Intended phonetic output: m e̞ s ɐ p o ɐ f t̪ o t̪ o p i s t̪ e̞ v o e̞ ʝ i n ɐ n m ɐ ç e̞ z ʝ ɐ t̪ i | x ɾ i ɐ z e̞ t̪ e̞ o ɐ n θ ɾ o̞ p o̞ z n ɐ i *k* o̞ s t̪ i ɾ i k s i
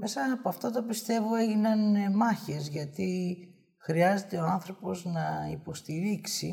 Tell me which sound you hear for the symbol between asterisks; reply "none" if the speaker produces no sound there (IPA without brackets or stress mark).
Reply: p